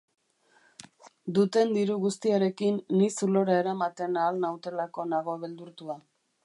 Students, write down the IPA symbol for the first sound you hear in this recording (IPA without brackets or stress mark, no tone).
d̪